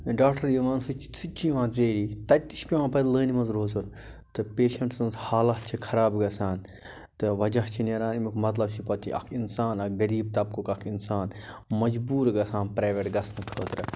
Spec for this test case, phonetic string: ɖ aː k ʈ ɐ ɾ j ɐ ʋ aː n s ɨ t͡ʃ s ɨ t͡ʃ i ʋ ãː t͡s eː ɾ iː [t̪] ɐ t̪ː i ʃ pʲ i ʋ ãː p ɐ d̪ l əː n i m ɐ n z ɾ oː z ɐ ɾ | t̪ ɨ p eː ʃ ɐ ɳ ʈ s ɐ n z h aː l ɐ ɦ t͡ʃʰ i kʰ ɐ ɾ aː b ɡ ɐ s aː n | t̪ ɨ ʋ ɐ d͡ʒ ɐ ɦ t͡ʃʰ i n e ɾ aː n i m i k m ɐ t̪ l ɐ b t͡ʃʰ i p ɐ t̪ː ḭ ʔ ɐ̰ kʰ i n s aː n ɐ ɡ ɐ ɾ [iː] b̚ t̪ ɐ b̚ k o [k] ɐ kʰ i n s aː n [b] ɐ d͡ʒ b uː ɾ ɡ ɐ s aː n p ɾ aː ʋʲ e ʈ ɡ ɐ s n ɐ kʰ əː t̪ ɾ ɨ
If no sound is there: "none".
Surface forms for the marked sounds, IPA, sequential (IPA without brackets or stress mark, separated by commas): t̪, iː, k, m